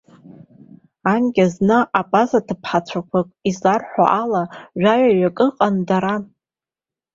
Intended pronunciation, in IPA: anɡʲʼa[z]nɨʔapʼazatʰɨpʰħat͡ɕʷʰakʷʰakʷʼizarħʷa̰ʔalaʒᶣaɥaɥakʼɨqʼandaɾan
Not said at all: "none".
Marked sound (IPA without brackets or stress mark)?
z